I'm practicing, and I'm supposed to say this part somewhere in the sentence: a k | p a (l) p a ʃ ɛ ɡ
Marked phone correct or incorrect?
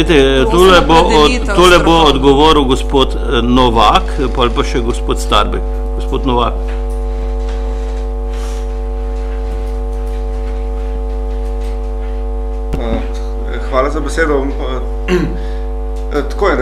correct